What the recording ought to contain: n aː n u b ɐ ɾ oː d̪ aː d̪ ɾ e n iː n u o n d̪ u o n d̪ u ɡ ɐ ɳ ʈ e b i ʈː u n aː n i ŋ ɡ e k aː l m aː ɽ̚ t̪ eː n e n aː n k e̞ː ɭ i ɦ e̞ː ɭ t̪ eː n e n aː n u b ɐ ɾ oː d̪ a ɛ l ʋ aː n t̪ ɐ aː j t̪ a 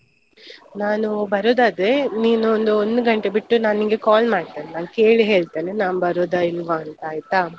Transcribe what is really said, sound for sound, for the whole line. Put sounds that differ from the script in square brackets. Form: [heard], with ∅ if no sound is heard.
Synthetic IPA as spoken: n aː n u b ɐ ɾ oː d̪ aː d̪ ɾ e n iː n u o n d̪ u o n d̪ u ɡ ɐ ɳ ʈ e b i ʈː u n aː n i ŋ ɡ e k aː l m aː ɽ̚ t̪ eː n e n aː n k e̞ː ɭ i ɦ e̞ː ɭ t̪ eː n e n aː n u b ɐ ɾ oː d̪ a [i] l ʋ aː n t̪ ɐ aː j t̪ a